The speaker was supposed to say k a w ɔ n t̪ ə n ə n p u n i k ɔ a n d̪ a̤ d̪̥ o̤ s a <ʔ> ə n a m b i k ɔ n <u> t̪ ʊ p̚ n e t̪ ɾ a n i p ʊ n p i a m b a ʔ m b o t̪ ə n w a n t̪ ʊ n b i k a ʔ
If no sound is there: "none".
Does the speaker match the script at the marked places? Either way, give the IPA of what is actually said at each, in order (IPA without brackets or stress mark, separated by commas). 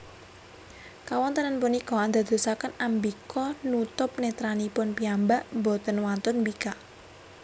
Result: k, u